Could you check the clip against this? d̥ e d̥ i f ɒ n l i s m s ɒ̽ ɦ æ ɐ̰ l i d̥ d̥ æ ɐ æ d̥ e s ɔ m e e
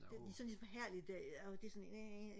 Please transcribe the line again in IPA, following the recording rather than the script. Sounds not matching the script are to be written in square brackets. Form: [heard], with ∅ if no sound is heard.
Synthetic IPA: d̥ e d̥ i [s] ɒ n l i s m [f] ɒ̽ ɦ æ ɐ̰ l i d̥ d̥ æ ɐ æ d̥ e s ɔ [n] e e